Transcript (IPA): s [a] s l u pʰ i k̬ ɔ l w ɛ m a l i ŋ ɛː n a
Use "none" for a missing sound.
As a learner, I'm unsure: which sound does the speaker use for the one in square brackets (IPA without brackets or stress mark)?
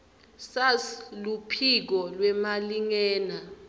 a